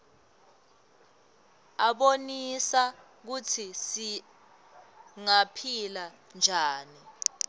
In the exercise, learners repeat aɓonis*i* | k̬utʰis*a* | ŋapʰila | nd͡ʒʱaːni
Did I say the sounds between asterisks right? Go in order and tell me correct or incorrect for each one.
incorrect, incorrect

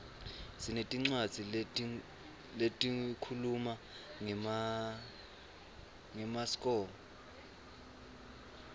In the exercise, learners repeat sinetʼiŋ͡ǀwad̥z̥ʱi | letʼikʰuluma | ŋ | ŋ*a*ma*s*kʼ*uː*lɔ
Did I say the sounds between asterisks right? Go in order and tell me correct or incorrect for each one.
incorrect, correct, incorrect

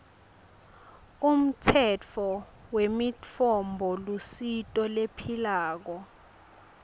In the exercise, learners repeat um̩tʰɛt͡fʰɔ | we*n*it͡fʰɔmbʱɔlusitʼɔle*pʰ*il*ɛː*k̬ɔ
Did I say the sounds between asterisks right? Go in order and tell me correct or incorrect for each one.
incorrect, correct, incorrect

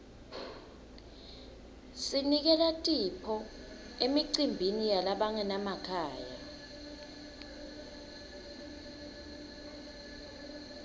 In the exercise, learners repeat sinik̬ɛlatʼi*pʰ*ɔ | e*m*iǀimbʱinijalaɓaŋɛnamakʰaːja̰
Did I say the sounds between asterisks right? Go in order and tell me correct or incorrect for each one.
correct, correct

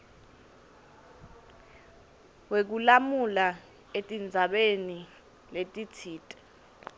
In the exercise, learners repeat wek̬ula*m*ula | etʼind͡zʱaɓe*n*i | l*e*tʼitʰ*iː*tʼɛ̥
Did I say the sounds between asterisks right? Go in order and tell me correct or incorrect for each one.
correct, correct, correct, correct

